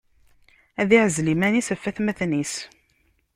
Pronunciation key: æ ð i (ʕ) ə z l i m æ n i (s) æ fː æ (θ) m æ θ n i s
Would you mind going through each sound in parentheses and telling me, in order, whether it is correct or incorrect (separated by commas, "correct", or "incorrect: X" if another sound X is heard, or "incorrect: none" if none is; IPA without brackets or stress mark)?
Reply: correct, correct, correct